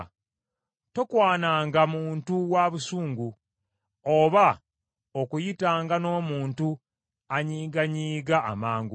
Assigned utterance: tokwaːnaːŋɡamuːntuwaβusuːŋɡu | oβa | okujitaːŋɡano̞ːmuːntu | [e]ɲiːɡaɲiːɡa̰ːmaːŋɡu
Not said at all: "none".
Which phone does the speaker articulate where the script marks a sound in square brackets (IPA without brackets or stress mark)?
a